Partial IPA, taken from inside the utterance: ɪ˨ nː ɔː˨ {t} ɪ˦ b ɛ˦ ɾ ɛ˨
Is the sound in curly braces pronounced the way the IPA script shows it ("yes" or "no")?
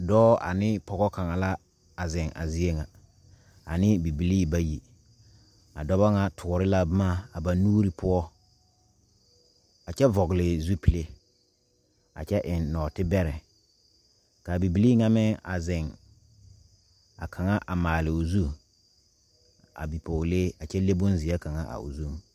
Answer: yes